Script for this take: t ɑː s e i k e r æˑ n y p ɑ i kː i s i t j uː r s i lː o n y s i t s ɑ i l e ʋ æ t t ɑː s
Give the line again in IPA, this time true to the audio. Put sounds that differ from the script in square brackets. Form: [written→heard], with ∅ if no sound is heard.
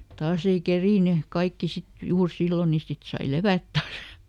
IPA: t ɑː s e i k e r [æˑ→iˑ] n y [p→k] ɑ i kː i s i t j uː r s i lː o n [y→i] s i t s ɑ i l e ʋ æ t t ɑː s